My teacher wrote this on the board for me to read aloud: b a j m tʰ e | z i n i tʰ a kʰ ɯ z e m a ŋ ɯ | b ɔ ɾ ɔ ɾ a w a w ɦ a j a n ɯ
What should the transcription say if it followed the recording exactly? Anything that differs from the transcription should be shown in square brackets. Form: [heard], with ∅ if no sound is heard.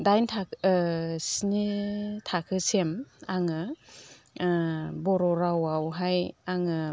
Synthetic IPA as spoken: [d] a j [n] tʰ [a] | [s] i n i tʰ a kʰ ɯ [s] e m a ŋ ɯ | b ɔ ɾ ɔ ɾ a w a w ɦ a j a [ŋ] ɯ